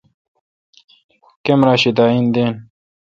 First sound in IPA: k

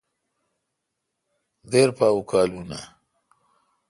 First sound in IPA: d̪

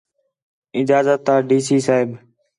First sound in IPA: ɪ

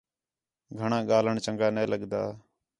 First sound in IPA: ɡʱ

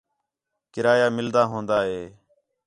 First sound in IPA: k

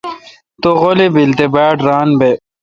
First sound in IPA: t̪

